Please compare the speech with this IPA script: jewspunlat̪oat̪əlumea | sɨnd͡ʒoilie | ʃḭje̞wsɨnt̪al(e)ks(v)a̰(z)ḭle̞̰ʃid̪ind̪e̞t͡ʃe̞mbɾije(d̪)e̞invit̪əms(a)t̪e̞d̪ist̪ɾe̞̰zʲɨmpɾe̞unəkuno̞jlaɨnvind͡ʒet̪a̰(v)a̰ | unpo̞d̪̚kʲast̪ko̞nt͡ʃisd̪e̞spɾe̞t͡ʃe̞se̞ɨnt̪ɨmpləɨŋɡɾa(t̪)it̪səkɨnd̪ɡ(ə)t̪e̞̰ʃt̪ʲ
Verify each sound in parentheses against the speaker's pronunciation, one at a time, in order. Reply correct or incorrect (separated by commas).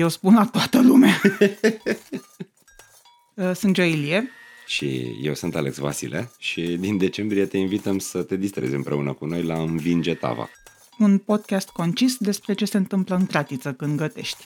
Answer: correct, correct, incorrect, incorrect, incorrect, correct, correct, correct